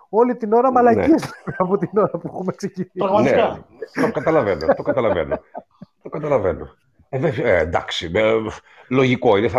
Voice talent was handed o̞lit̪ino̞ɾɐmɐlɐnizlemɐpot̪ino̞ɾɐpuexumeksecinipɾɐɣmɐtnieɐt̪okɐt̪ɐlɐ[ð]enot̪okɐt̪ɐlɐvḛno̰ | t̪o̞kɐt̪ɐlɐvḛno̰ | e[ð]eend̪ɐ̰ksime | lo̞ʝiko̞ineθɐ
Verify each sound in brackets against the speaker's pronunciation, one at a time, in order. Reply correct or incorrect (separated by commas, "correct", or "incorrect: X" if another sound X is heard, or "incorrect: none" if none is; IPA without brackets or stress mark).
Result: incorrect: v, incorrect: v